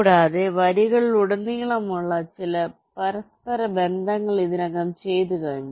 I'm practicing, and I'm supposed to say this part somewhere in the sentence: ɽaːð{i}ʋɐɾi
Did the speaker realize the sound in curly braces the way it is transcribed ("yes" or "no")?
no